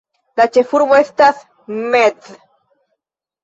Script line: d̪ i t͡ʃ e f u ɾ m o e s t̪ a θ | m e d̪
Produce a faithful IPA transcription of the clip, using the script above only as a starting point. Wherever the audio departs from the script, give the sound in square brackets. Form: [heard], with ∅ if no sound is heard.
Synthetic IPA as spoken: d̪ [a] t͡ʃ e f u ɾ m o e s t̪ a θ | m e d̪